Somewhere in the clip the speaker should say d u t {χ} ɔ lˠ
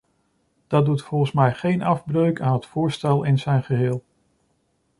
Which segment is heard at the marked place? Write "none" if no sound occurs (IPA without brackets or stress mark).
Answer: f